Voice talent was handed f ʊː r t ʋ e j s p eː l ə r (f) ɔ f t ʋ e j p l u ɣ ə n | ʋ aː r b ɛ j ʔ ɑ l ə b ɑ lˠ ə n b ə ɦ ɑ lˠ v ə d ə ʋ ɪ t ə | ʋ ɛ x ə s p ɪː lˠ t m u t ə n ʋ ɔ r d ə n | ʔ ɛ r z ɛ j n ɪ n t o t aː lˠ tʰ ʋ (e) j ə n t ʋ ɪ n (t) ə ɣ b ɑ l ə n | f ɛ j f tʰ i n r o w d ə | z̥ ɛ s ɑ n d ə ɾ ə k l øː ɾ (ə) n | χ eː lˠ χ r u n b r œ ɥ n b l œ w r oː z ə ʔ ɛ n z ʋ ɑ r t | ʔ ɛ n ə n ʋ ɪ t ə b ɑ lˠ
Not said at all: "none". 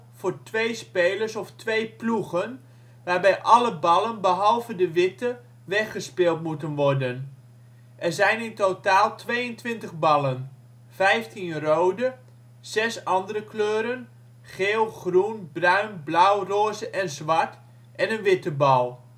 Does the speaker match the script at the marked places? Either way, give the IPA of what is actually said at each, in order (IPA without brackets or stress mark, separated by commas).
s, e, t, ə